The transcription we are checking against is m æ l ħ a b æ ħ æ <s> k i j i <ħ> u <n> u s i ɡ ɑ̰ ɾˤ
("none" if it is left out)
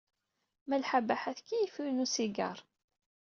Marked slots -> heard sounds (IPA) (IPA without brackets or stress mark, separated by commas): θ, f, n